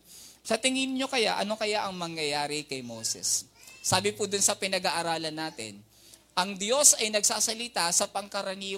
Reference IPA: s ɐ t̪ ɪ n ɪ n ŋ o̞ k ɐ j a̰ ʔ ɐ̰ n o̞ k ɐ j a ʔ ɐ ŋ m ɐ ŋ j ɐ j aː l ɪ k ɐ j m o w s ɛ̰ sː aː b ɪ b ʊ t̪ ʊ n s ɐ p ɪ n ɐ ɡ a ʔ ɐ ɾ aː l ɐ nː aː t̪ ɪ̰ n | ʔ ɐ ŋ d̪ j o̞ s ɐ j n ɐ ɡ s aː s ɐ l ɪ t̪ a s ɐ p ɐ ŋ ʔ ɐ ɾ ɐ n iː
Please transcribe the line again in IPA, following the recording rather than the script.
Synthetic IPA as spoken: s ɐ t̪ ɪ ŋ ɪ n ɲ o̞ k ɐ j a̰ ʔ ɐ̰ n o̞ k ɐ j a ʔ ɐ ŋ m ɐ ŋ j ɐ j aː ɾ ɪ k ɐ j m o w s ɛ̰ sː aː b ɪ p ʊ d̪ ʊ n s ɐ p ɪ n ɐ ɡ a ʔ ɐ ɾ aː l ɐ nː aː t̪ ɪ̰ n | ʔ ɐ ŋ d̪ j o̞ s ɐ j n ɐ ɡ s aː s ɐ l ɪ t̪ a s ɐ p ɐ ŋ k ɐ ɾ ɐ n iː